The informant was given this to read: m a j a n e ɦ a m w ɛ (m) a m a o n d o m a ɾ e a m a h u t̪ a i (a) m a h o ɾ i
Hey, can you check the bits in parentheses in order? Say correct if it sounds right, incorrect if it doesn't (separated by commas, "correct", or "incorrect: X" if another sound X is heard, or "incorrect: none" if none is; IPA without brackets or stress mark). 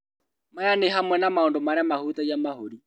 incorrect: n, correct